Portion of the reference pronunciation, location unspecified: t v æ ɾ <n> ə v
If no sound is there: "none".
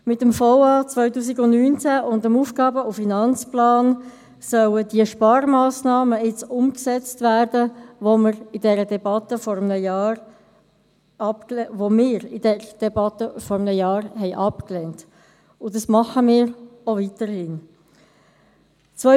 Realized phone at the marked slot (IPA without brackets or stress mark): d